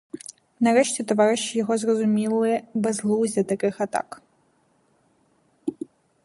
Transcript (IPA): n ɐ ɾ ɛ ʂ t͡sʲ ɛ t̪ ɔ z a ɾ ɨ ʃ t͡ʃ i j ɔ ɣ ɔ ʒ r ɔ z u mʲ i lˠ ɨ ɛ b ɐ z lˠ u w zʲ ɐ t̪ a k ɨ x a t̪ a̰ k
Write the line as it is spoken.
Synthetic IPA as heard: n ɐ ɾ ɛ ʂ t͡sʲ ɛ t̪ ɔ v a ɾ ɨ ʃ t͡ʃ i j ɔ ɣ ɔ z r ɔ z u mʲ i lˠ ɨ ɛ b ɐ z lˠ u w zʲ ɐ t̪ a k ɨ x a t̪ a̰ k